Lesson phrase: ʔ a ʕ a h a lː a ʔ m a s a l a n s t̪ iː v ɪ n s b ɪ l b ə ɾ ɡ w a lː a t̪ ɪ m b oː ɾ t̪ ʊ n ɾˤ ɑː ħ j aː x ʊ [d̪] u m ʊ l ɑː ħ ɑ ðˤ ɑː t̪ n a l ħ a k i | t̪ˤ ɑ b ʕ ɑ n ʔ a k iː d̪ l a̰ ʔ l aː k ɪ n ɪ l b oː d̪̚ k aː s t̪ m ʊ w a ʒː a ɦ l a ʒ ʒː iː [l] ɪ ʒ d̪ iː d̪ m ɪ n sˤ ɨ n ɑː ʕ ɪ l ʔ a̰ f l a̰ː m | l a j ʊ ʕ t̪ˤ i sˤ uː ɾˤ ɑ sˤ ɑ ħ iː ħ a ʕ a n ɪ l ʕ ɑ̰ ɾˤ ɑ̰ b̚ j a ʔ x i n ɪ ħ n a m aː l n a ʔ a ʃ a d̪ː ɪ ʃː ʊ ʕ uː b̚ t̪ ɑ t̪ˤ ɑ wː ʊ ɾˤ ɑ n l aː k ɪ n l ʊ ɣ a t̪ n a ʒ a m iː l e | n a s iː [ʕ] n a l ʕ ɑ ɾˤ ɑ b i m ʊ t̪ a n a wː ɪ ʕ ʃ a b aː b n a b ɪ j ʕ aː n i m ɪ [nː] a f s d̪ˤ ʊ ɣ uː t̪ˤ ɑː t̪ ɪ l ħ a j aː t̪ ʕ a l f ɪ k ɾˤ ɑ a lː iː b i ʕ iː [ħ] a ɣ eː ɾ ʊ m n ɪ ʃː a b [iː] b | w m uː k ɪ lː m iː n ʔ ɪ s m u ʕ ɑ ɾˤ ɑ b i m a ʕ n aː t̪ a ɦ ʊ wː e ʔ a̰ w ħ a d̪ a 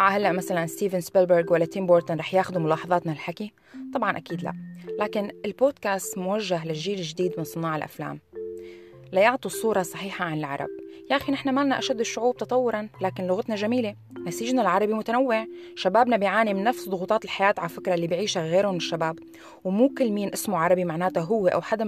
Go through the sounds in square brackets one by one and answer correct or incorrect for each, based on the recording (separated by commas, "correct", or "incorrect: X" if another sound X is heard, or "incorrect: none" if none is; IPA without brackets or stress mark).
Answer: correct, correct, incorrect: ʒ, correct, incorrect: ʃ, incorrect: aː